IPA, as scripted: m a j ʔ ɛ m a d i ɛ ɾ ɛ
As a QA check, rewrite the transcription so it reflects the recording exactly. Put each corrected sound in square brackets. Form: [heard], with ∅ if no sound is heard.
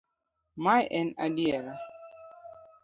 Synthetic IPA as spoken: m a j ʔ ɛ [n] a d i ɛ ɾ [a]

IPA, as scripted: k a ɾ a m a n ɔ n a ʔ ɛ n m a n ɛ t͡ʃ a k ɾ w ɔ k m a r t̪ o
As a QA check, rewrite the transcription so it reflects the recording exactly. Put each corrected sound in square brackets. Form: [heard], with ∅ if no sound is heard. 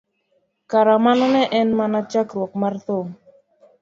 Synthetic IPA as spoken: k a ɾ a m a n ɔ n [ɛ] ʔ ɛ n m a n [a] t͡ʃ a k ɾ w ɔ k m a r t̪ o

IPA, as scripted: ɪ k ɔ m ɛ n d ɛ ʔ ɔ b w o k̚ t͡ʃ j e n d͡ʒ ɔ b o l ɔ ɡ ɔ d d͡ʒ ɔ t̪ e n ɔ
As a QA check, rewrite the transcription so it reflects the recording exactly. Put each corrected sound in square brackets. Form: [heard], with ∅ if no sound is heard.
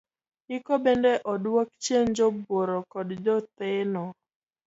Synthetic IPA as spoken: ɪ k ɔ [b] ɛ n d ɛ ʔ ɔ [d] w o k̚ t͡ʃ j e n d͡ʒ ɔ b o [ɾ] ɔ [k] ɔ d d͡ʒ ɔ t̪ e n ɔ

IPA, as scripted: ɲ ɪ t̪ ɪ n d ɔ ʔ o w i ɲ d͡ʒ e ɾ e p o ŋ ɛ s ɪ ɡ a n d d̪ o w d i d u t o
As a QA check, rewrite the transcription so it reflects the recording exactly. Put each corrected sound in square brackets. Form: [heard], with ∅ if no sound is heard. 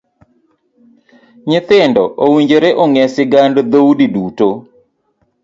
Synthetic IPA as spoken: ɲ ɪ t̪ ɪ n d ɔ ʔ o w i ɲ d͡ʒ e ɾ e [ʔ] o ŋ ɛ s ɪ ɡ a n d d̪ o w d i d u t o

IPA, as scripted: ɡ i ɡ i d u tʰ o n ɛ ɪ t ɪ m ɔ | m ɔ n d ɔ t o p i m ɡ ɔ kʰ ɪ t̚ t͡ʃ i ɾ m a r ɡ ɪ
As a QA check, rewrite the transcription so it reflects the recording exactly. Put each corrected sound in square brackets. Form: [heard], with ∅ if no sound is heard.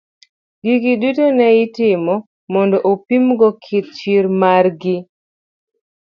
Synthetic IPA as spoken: ɡ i ɡ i d u [t] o n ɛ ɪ t ɪ m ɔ | m ɔ n d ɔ [ʔ] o p i m ɡ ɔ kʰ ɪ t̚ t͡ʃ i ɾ m a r ɡ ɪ

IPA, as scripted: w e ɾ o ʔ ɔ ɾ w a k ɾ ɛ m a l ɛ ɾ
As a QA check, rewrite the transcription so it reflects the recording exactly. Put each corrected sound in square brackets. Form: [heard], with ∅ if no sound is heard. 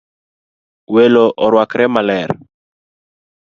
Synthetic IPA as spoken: w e [l] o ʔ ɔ ɾ w a k ɾ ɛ m a l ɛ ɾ

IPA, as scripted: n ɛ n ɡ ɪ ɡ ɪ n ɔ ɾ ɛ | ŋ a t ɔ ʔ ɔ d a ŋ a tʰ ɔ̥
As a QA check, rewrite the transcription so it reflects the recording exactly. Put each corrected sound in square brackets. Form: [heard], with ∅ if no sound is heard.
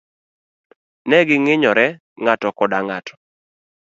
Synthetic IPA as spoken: n ɛ [∅] ɡ ɪ [ŋ] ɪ [ɲ] ɔ ɾ ɛ | ŋ a t ɔ [k] ɔ d a ŋ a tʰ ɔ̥

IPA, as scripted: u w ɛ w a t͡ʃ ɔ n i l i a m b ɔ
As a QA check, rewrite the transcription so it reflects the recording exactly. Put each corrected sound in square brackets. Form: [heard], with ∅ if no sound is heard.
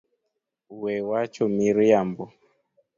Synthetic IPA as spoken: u w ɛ w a t͡ʃ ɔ [m] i [ɾ] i a m b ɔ

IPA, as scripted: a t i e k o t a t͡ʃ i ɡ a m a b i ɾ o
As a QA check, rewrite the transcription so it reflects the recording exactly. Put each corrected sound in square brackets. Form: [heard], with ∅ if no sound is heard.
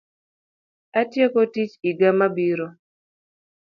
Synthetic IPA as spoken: a t [j] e k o t [i] t͡ʃ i ɡ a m a b i ɾ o

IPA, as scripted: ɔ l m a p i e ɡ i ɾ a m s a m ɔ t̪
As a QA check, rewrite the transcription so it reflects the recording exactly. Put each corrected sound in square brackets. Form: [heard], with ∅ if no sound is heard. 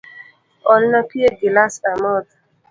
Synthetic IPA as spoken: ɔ l [n] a p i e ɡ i [l] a [∅] s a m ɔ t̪

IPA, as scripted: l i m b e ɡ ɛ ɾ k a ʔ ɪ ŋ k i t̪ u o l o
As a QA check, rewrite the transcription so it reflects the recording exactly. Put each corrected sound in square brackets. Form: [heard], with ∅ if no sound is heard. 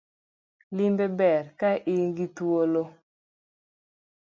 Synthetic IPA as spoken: l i m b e [b] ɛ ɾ k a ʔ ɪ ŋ [ɡ] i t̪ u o l o

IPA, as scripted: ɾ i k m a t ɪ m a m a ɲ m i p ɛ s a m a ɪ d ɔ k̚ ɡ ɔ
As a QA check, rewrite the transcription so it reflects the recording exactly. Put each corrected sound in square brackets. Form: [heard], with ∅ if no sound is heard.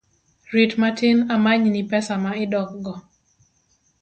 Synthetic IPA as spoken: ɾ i [t] m a t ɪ [n] a m a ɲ [n] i p ɛ s a m a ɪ d ɔ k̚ ɡ ɔ

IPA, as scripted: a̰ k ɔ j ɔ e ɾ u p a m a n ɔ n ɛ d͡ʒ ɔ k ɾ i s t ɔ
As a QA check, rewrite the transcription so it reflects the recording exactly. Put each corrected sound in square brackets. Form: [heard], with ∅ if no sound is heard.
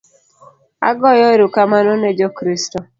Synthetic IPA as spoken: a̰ [ɡ] ɔ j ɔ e ɾ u [k] a m a n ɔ n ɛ d͡ʒ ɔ k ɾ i s t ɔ

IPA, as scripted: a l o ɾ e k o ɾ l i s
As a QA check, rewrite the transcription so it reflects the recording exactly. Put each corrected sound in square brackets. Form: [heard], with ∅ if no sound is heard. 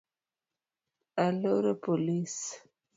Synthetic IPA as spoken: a l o ɾ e [p] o [∅] l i s

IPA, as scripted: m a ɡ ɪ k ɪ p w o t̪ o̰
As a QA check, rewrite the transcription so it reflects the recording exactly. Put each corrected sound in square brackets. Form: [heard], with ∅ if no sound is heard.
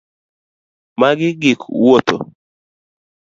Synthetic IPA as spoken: m a ɡ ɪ [ɡ] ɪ [k] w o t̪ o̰

